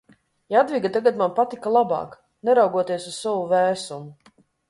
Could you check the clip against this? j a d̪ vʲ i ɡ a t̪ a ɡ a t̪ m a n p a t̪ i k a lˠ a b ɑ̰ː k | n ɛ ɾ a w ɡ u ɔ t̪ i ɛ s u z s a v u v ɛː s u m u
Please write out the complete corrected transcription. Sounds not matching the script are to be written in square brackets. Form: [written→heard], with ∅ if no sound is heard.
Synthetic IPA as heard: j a d̪ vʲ i ɡ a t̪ a ɡ a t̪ m a n p a t̪ i k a lˠ a b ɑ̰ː k | n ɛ ɾ a w ɡ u ɔ t̪ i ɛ s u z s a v u v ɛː s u m u